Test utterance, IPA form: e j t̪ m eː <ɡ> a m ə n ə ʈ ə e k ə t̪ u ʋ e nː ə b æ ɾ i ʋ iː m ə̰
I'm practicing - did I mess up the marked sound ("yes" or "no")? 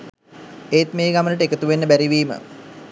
no